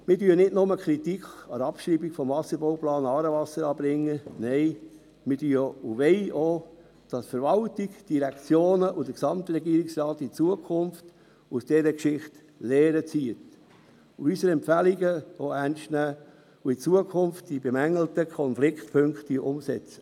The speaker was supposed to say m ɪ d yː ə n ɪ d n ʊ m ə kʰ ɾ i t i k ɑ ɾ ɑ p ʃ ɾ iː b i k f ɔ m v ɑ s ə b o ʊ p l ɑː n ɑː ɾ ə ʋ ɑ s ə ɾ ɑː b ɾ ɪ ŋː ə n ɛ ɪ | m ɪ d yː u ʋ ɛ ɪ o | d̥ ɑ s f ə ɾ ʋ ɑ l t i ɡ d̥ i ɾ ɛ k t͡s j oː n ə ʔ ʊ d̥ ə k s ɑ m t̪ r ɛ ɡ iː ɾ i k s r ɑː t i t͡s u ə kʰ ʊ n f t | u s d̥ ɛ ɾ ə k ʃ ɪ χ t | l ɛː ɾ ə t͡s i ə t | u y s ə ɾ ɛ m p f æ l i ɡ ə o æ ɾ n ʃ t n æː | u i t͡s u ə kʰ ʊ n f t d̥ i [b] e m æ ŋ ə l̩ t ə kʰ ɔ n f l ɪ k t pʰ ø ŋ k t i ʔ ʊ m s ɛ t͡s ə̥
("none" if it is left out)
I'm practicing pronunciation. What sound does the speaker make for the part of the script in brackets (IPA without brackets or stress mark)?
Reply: b